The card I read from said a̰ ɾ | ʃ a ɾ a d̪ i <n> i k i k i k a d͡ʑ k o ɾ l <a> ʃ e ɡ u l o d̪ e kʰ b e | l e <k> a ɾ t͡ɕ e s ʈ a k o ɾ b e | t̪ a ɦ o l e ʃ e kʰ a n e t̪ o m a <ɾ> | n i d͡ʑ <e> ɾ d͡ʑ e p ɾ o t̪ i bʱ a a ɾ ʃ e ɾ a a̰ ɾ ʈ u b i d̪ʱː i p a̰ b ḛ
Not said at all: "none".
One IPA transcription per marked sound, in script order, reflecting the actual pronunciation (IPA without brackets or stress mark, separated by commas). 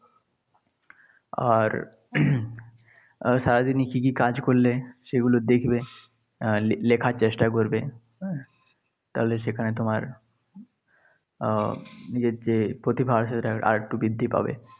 n, e, kʰ, ɾ, e